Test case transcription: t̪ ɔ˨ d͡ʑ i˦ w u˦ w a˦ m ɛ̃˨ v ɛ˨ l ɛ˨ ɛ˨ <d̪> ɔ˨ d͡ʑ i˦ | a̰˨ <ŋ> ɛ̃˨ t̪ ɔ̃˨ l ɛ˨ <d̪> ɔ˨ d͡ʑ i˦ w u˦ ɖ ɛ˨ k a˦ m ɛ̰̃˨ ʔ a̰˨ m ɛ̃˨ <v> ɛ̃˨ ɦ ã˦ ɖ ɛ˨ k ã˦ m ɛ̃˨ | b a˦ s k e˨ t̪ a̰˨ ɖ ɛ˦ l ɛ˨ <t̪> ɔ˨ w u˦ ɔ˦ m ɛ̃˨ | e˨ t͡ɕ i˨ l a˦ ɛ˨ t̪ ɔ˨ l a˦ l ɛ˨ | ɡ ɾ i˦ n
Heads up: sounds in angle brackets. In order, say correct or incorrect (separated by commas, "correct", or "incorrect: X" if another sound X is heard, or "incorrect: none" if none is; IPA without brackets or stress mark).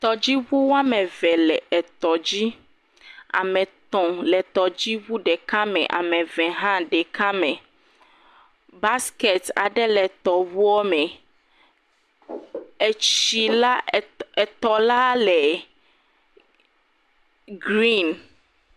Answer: incorrect: t̪, incorrect: m, incorrect: t̪, correct, correct